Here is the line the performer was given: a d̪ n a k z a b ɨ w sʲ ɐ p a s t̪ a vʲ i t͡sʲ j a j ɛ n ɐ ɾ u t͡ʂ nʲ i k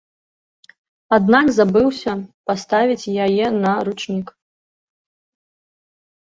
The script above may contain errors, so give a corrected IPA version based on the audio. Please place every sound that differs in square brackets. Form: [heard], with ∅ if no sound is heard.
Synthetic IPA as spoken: a d̪ n a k z a b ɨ w sʲ ɐ p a s t̪ a vʲ i t͡sʲ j a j ɛ n ɐ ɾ u t͡ʂ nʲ i k